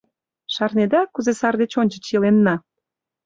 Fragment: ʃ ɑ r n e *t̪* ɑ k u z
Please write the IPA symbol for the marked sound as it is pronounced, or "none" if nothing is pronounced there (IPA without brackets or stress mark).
d̪